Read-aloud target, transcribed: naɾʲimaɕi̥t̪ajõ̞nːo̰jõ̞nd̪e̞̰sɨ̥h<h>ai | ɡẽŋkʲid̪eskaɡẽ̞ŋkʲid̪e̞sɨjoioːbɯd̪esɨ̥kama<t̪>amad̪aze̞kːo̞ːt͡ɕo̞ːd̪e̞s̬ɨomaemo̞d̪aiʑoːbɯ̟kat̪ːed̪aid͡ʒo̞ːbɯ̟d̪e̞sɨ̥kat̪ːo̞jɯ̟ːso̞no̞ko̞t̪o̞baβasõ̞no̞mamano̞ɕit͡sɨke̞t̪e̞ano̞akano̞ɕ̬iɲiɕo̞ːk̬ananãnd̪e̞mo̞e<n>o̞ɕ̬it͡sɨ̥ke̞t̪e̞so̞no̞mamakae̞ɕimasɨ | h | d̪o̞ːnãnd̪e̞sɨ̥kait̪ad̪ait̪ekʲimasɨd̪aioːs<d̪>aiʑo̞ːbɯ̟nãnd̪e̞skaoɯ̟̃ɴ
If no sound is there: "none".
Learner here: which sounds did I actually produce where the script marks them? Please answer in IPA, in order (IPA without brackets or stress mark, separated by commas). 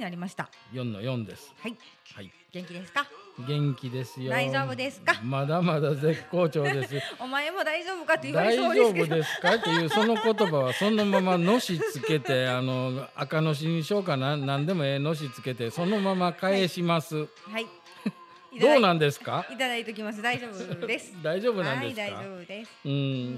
h, d̪, n, d̪